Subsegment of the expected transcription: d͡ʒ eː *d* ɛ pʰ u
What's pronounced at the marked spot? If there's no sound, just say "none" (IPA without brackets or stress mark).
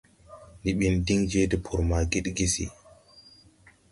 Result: d